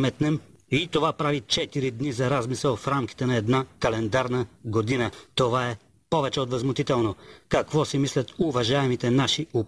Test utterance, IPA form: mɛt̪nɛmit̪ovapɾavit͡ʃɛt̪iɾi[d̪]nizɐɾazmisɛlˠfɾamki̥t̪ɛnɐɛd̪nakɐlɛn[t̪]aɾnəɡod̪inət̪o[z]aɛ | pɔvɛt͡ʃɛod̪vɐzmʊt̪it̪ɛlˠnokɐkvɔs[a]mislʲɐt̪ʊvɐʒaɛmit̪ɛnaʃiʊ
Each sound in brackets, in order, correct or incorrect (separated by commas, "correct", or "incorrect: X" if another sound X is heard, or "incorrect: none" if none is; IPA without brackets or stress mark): correct, incorrect: d̪, incorrect: v, incorrect: i